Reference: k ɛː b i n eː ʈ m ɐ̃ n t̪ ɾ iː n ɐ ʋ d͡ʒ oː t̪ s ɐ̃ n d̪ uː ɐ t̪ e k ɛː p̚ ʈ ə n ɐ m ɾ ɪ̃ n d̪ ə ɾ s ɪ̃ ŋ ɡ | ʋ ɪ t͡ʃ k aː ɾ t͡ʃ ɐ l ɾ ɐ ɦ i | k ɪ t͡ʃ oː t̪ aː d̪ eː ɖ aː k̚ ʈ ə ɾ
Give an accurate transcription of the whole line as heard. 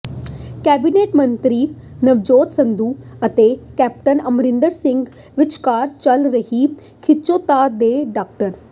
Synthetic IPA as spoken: k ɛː b i n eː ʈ m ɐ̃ n t̪ ɾ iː n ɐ ʋ d͡ʒ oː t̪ s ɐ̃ n d̪ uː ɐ t̪ e k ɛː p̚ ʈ ə n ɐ m ɾ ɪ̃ n d̪ ə ɾ s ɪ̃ ŋ ɡ | ʋ ɪ t͡ʃ k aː ɾ t͡ʃ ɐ l ɾ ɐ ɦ i | kʰ ɪ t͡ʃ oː t̪ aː d̪ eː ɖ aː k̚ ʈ ə ɾ